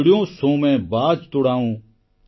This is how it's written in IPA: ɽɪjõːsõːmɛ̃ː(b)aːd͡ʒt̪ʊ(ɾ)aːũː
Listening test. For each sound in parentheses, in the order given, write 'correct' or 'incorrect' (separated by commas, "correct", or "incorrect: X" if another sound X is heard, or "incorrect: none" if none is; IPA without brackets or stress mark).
correct, incorrect: ɽ